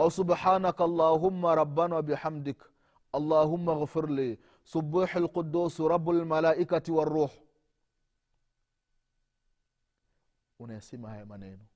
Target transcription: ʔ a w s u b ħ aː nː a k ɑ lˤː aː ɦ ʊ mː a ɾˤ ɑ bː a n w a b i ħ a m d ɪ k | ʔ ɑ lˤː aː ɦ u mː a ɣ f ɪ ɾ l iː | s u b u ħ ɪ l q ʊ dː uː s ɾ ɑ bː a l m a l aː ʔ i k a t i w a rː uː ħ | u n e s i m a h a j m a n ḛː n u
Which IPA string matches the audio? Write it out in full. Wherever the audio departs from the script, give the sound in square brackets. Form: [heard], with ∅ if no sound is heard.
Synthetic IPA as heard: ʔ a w s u b ħ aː [n] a k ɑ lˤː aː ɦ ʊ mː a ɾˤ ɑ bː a n w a b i ħ a m d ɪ k | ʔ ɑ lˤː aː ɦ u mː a ɣ f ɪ ɾ l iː | s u b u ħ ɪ l q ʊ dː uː s ɾ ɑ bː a l m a l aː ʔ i k a t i w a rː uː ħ | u n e s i m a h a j m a n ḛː n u